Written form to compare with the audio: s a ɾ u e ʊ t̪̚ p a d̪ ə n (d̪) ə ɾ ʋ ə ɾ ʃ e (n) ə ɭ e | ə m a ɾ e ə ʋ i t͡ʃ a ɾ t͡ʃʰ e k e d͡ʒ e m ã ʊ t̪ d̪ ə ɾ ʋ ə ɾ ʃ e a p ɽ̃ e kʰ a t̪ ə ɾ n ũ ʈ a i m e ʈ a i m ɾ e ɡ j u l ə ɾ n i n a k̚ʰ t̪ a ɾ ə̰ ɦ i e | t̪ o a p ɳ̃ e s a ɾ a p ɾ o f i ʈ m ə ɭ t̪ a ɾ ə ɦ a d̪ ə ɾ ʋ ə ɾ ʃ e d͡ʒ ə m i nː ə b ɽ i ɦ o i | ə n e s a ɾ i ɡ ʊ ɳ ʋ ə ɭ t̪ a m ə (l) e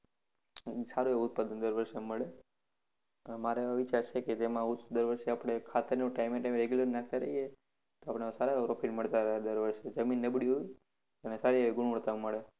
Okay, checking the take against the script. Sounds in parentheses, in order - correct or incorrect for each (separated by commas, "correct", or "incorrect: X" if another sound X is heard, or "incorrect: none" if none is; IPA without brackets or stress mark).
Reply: correct, incorrect: m, incorrect: ɭ